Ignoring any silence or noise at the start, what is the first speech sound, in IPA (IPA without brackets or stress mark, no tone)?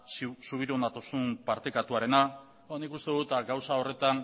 s